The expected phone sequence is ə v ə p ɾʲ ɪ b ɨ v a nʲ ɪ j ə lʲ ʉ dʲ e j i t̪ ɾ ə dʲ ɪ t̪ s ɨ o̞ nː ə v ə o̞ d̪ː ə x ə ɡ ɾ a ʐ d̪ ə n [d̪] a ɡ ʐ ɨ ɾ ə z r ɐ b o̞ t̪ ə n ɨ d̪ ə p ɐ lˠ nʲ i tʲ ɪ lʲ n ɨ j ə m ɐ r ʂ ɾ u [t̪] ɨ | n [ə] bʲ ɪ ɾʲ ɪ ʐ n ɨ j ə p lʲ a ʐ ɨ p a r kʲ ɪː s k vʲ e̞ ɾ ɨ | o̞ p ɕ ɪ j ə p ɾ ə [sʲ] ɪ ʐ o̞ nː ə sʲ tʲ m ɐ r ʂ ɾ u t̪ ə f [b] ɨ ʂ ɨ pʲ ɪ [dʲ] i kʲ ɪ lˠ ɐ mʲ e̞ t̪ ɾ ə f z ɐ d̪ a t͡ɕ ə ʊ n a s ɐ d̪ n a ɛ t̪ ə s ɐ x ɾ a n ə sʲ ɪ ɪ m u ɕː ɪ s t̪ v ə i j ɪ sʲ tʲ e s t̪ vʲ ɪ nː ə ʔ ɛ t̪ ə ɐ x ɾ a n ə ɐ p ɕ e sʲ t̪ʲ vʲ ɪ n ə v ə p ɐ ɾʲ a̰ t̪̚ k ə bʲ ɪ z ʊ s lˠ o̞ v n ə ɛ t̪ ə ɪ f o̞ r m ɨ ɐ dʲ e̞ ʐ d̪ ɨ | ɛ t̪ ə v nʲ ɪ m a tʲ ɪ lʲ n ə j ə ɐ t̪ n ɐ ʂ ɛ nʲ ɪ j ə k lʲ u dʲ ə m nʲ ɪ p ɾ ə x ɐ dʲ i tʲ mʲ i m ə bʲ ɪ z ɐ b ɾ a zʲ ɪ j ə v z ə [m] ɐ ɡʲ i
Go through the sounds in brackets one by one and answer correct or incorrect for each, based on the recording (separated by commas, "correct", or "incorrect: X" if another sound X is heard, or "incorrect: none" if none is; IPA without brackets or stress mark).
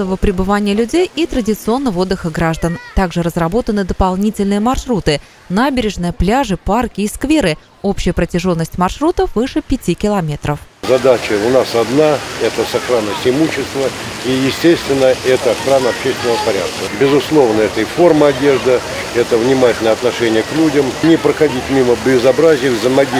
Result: incorrect: t̪, correct, incorrect: a, incorrect: tʲ, incorrect: v, incorrect: tʲ, correct